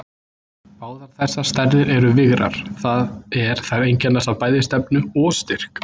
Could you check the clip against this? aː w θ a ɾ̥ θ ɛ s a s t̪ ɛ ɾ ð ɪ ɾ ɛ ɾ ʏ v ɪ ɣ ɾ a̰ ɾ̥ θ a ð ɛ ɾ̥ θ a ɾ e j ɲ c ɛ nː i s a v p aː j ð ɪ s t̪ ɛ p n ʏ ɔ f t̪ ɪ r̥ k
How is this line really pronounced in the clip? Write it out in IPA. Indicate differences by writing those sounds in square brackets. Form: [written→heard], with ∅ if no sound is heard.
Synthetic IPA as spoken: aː w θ a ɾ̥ θ ɛ [s→sː] a s t̪ ɛ ɾ ð ɪ ɾ ɛ ɾ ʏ v ɪ ɣ ɾ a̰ ɾ̥ θ a ð ɛ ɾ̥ θ a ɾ e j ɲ c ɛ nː [i→a] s a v p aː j ð ɪ s t̪ ɛ p n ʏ ɔ [f→s] t̪ ɪ r̥ k